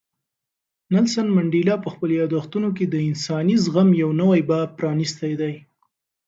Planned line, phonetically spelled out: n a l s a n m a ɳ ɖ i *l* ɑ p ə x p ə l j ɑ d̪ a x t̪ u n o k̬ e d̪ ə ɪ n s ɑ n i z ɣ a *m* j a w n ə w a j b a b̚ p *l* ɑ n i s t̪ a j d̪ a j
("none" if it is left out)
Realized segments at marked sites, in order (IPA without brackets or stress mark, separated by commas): l, m, ɾ